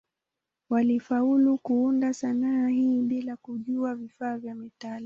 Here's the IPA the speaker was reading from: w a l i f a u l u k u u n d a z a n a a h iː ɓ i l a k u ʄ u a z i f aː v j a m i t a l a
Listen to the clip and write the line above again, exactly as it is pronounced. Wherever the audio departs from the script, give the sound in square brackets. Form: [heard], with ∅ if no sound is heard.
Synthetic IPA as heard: w a l i f a u l u k u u n d a [s] a n a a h iː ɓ i l a k u ʄ u a [v] i f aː v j a m i t a l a